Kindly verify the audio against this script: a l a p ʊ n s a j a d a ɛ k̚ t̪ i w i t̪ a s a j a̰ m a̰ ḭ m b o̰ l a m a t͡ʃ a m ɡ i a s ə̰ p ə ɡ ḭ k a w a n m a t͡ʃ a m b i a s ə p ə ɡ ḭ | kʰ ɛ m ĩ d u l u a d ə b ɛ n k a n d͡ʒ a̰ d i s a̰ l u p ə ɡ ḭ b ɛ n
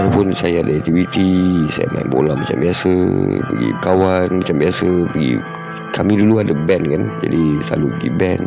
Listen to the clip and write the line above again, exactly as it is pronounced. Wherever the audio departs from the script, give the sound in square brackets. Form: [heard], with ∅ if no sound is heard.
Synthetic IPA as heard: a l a p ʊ n s a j a d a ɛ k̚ t̪ i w i t̪ [i] s a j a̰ m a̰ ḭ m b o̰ l a m a t͡ʃ a m [b] i a s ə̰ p ə ɡ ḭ k a w a n m a t͡ʃ a m b i a s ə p ə ɡ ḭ | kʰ [a] m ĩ d u l u a d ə b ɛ n k a n d͡ʒ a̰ d i s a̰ l u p ə ɡ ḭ b ɛ n